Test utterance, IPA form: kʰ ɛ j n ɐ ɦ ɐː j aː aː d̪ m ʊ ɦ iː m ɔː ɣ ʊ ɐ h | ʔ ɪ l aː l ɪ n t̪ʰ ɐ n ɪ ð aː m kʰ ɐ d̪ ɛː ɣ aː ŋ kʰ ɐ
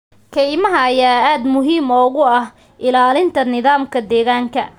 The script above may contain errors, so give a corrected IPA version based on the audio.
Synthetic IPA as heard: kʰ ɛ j m ɐ ɦ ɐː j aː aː d̪ m ʊ ɦ iː m ɔː ɣ ʊ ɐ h | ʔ ɪ l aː l ɪ n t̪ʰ ɐ n ɪ ð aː m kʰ ɐ d̪ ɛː ɣ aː ŋ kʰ ɐ